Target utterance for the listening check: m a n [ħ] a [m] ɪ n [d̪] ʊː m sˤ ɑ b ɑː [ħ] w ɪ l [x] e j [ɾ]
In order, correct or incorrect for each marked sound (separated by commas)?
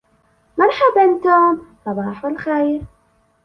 correct, incorrect, incorrect, correct, correct, correct